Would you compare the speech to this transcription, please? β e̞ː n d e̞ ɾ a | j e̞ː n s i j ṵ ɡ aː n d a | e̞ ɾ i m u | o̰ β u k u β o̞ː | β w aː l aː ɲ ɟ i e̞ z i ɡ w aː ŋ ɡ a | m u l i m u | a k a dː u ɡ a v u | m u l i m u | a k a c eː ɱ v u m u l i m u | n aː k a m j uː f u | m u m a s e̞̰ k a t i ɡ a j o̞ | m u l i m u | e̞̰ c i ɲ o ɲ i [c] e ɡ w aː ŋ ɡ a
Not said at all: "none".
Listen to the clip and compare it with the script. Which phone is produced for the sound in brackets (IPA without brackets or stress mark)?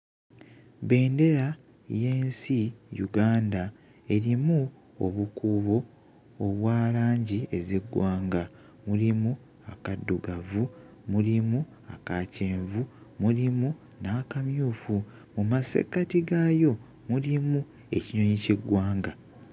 c